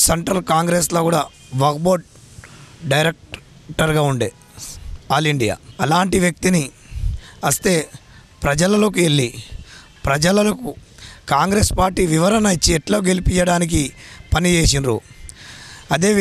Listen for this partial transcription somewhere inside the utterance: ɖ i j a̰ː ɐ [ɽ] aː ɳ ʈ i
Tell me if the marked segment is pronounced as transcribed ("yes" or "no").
no